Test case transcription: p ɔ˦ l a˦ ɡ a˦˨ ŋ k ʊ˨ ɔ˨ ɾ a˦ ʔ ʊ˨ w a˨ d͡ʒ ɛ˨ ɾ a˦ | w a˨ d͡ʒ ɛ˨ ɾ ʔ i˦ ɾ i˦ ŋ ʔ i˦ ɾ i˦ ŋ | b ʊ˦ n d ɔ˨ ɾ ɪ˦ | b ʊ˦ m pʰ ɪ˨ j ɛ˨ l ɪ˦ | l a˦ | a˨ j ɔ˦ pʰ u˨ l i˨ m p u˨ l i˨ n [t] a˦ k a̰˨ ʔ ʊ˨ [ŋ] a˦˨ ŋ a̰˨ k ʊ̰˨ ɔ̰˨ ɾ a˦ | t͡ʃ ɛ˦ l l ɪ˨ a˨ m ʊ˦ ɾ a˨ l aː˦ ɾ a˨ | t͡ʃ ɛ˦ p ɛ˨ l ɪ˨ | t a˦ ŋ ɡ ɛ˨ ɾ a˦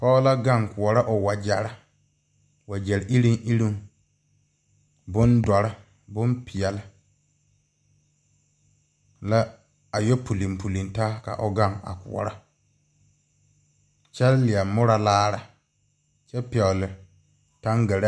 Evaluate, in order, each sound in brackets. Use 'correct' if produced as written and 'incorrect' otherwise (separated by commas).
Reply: correct, incorrect